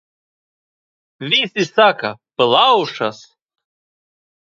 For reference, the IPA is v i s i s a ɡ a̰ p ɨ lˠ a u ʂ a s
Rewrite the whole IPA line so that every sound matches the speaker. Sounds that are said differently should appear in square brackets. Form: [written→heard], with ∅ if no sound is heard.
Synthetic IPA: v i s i s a [ɡ→k] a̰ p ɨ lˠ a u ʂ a s